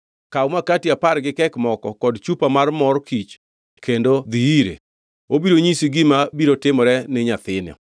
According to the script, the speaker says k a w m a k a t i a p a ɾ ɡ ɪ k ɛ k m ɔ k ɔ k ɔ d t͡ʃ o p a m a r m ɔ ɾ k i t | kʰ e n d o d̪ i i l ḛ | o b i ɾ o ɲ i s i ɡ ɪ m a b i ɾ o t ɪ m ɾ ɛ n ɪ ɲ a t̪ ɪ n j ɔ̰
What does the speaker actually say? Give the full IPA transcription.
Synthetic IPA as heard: k a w m a k a t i a p a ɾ ɡ ɪ k ɛ k m ɔ k ɔ k ɔ d t͡ʃ u p a m a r m ɔ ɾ k i t͡ʃ | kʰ e n d o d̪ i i ɾ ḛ | o b i ɾ o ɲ i s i ɡ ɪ m a b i ɾ o t ɪ m ɾ ɛ n ɪ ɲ a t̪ ɪ n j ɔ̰

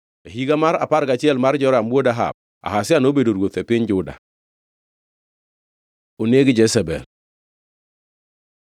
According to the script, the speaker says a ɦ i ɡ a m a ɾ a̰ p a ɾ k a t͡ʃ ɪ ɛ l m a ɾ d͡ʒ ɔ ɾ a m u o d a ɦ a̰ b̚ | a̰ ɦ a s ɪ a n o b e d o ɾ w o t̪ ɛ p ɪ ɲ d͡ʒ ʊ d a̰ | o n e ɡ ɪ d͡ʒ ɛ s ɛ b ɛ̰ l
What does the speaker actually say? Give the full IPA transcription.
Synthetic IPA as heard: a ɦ i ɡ a m a ɾ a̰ p a ɾ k a t͡ʃ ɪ ɛ l m a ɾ d͡ʒ ɔ ɾ a m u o d a ɦ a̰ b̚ | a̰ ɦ a s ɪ a n o b e d o ɾ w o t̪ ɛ p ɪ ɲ d͡ʒ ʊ d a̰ | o n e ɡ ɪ d͡ʒ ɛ s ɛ b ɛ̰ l

